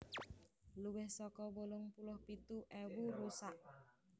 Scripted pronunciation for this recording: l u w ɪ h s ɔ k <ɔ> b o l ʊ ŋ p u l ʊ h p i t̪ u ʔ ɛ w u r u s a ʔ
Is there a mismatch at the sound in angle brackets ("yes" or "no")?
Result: no